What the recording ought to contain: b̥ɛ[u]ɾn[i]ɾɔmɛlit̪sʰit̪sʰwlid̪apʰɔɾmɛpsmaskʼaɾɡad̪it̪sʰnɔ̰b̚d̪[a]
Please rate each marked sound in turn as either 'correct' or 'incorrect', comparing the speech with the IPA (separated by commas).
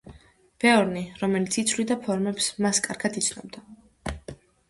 incorrect, correct, correct